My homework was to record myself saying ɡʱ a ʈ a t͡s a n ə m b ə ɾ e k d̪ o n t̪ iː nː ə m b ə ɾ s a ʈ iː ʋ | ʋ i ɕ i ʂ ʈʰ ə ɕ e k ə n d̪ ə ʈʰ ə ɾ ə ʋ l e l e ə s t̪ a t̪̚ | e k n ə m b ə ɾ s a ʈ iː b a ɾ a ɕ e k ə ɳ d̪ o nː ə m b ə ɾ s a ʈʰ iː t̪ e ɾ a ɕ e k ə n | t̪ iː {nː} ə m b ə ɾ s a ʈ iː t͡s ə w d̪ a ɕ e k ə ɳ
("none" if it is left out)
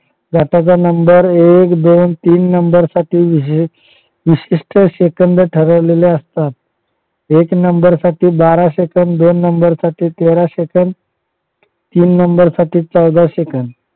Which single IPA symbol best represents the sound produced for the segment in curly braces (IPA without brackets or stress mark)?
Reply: nː